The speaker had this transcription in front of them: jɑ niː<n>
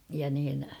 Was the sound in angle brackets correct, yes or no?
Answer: yes